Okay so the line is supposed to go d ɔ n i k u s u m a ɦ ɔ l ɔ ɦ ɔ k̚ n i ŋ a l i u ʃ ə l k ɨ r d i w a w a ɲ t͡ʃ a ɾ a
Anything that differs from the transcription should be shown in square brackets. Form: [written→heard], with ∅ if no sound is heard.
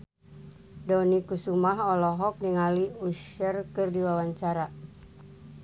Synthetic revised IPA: d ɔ n i k u s u m a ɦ ɔ l ɔ ɦ ɔ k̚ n i ŋ a l i u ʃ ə [l→r] k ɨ r d i w a w a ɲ t͡ʃ a ɾ a